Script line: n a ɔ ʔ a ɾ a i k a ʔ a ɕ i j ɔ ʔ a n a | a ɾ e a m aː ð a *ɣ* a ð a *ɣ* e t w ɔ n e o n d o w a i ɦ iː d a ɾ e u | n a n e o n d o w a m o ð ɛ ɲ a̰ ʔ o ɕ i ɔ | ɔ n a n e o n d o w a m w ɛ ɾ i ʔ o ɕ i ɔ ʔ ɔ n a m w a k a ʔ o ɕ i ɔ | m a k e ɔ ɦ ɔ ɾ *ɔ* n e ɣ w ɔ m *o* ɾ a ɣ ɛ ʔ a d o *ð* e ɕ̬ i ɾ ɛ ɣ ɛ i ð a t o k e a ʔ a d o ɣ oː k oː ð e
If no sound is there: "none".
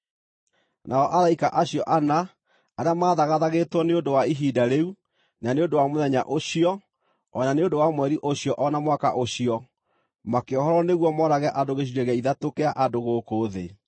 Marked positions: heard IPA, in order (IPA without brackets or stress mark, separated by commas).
ɣ, ɣ, ɔ, ɔ, ɣ